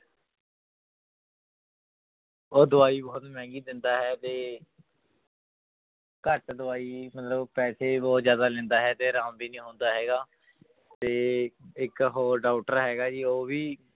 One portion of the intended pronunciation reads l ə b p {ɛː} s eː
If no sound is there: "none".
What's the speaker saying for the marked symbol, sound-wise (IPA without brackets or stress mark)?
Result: ɛː